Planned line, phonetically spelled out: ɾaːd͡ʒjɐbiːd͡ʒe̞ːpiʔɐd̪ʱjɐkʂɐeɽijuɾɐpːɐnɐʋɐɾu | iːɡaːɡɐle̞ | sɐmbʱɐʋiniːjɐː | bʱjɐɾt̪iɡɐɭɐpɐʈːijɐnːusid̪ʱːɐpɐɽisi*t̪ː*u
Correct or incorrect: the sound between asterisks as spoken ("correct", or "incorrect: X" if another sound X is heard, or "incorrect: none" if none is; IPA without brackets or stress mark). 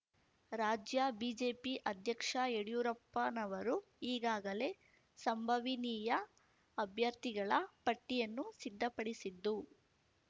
incorrect: d̪ː